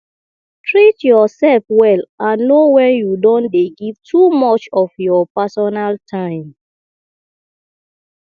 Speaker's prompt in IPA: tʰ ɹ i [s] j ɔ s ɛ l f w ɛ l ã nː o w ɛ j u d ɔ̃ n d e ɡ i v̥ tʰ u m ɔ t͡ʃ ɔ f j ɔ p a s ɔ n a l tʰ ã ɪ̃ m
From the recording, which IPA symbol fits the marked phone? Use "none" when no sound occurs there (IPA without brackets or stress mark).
t